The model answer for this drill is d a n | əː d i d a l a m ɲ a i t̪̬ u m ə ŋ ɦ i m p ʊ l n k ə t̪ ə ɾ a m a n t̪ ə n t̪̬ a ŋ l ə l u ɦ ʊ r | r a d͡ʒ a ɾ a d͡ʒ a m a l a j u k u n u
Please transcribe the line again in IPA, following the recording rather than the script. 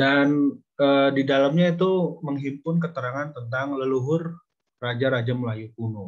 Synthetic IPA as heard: d a n | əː d i d a l a m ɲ a i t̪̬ u m ə ŋ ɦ i m p ʊ n k ə t̪ ə ɾ a ŋ a n t̪ ə n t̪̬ a ŋ l ə l u ɦ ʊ r | r a d͡ʒ a ɾ a d͡ʒ a m ə l a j u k u n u